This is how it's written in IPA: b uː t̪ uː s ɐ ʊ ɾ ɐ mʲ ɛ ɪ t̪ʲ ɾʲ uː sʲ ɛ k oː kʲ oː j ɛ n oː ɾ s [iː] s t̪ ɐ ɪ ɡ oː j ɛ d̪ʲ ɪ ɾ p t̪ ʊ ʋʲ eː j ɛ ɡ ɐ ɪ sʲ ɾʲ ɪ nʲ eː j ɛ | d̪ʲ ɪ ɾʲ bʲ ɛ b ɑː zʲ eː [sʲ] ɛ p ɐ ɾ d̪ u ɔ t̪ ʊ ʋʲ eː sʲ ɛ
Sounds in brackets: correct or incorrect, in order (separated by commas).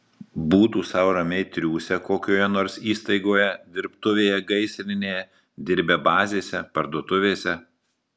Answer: correct, correct